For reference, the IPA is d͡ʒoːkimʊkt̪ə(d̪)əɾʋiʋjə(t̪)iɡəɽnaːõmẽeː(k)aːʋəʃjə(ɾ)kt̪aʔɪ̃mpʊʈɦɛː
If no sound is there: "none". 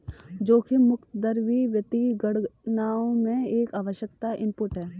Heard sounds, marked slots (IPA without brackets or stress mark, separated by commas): d̪, t̪, k, none